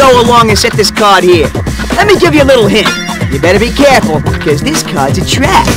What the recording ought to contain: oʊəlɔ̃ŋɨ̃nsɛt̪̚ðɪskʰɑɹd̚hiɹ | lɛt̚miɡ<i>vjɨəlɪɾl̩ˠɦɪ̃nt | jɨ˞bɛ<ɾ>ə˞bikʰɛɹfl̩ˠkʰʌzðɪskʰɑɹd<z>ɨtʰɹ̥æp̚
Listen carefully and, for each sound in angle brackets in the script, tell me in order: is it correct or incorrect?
incorrect: ɪ, correct, correct

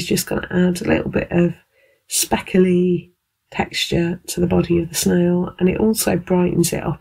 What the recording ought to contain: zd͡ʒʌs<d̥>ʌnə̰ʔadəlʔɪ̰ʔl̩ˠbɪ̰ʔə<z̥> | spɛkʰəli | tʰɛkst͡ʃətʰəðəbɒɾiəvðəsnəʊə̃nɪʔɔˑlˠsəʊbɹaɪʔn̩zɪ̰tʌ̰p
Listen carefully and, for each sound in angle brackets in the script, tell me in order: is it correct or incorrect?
incorrect: ɡ̥, incorrect: v̥

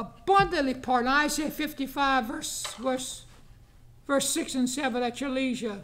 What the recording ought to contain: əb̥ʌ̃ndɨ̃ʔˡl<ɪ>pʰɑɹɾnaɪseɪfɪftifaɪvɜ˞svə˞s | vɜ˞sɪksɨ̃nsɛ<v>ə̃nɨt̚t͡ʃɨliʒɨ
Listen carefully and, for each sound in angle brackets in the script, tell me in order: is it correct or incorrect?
incorrect: i, correct

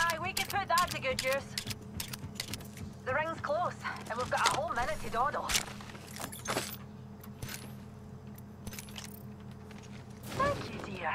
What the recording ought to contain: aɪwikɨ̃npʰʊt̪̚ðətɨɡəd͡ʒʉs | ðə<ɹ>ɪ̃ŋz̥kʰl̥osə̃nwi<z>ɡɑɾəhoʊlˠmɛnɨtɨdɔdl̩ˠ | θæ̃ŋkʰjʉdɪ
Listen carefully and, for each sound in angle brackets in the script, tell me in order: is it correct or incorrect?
correct, incorrect: v

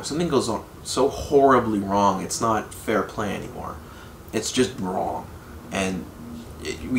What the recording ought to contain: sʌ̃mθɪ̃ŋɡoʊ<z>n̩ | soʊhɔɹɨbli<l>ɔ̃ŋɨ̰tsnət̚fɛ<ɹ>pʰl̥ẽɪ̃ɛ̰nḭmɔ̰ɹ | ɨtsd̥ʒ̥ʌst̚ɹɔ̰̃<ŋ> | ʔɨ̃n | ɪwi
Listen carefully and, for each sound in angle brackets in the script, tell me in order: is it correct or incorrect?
correct, incorrect: ɹ, correct, correct

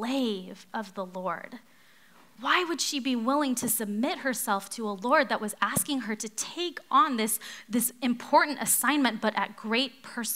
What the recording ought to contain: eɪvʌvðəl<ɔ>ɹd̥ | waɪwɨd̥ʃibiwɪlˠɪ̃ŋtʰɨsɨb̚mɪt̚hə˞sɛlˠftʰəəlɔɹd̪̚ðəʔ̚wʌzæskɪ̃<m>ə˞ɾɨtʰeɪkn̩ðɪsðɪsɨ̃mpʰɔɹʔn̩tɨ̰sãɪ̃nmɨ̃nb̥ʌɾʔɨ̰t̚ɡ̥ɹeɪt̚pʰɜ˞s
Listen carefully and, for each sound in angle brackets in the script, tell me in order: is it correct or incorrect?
correct, incorrect: ŋ

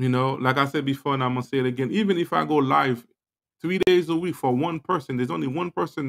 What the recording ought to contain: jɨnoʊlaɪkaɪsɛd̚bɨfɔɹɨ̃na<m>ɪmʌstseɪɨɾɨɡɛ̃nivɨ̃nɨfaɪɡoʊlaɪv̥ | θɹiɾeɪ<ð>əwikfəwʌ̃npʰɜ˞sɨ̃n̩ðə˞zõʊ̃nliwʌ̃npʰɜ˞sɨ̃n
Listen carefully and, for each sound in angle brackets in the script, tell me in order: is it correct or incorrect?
incorrect: none, incorrect: z

